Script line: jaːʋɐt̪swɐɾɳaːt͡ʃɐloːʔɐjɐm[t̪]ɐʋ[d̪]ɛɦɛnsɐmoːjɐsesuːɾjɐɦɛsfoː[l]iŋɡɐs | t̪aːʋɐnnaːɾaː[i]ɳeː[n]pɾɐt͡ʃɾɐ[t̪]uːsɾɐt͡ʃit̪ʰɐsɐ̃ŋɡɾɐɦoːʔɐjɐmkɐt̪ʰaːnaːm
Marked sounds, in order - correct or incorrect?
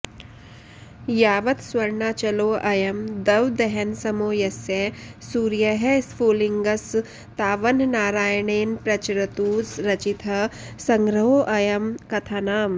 incorrect, correct, correct, incorrect, correct, correct

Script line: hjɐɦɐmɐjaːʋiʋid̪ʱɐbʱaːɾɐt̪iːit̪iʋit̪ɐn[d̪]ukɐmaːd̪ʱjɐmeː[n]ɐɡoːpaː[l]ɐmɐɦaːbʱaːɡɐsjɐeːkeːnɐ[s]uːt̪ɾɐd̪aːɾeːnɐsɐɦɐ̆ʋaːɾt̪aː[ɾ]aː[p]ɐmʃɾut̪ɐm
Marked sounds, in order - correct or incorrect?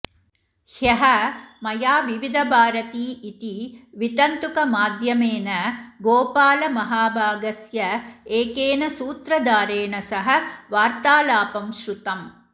incorrect, correct, correct, correct, incorrect, correct

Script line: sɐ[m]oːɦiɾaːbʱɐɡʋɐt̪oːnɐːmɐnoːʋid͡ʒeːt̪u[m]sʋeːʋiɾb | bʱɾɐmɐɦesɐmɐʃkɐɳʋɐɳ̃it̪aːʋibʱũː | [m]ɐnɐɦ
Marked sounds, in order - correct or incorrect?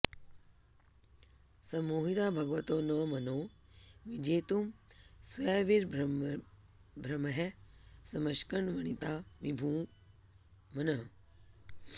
correct, correct, correct

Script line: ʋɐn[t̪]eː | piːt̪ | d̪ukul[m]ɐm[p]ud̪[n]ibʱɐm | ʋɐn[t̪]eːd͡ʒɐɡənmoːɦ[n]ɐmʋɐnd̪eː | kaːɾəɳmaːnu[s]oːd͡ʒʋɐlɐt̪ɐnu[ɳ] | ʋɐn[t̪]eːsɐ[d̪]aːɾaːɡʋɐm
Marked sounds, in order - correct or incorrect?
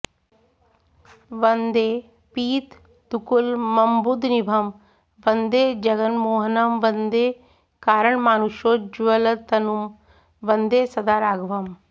incorrect, correct, incorrect, correct, incorrect, correct, incorrect, incorrect, incorrect, correct

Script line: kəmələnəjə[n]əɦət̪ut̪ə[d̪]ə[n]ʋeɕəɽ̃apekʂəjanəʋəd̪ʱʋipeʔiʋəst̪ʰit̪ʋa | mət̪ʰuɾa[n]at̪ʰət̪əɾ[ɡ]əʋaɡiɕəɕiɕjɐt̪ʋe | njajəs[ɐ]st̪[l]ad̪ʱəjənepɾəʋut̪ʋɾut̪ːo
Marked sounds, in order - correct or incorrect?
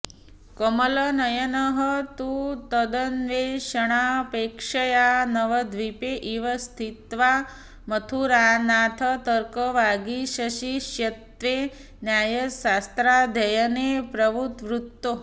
correct, correct, correct, correct, incorrect, incorrect, incorrect

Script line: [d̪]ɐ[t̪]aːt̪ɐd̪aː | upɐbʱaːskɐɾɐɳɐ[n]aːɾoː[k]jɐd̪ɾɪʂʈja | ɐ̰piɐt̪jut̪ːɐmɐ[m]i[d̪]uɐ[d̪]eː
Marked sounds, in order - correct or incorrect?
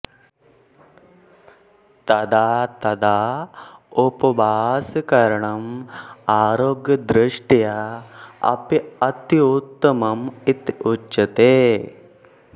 incorrect, incorrect, incorrect, incorrect, correct, incorrect, incorrect

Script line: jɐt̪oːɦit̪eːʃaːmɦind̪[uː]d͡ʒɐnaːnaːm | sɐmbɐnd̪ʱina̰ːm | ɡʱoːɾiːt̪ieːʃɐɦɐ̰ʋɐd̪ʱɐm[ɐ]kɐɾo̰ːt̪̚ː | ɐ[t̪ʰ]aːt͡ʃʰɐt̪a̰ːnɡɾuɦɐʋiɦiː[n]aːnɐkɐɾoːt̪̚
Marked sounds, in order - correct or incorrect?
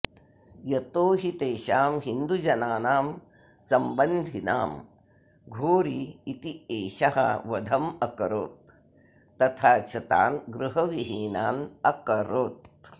incorrect, correct, correct, correct

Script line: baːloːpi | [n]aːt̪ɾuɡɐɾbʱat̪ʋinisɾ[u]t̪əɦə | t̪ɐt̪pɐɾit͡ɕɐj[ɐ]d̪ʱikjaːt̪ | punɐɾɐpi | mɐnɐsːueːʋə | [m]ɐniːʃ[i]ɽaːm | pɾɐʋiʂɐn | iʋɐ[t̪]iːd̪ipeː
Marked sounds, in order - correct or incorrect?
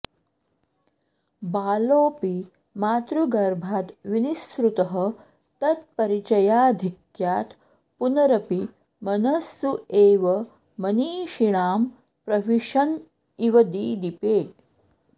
incorrect, correct, incorrect, correct, correct, incorrect

